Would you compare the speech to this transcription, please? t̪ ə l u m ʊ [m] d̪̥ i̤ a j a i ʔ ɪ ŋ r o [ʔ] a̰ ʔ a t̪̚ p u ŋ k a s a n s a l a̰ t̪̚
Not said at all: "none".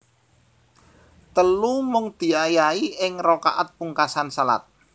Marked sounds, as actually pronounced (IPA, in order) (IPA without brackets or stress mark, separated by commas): ŋ, k